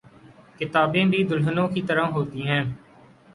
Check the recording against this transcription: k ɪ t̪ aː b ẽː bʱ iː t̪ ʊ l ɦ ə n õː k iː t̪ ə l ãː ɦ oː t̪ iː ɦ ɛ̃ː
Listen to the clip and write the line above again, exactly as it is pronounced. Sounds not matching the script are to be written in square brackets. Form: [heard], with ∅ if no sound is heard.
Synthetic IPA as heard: k ɪ t̪ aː b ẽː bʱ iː [d̪] ʊ l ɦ ə n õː k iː t̪ ə [ɾ] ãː ɦ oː t̪ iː ɦ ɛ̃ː